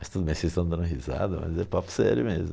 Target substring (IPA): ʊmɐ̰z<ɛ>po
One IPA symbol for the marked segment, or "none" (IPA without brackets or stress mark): ɛ